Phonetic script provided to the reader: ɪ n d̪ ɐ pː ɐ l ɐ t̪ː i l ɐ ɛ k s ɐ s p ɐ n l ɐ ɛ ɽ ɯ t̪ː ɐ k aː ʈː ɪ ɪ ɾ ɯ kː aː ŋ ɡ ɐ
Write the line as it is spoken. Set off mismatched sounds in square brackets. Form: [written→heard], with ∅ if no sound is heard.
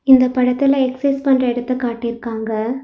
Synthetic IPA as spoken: ɪ n d̪ ɐ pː ɐ [l→ɽ] ɐ t̪ː [i→ɪ] l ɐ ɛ k s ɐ s p ɐ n [l→r] ɐ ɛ ɽ ɯ t̪ː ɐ k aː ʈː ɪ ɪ ɾ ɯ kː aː ŋ ɡ ɐ